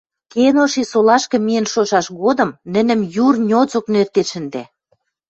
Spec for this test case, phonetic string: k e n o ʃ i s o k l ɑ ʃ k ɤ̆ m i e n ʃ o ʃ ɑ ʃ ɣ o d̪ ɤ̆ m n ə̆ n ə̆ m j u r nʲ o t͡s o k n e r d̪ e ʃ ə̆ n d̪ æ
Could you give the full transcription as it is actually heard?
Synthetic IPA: k e n o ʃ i s o l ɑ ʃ k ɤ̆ m i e n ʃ o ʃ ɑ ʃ ɣ o d̪ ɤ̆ m n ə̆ n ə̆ m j u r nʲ o t͡s o k n e r t̪ e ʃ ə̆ n d̪ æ